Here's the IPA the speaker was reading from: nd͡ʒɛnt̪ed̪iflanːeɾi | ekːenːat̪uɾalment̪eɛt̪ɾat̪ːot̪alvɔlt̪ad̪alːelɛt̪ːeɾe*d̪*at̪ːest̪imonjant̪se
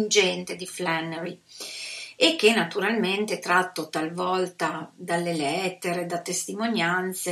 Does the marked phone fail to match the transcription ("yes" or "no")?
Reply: no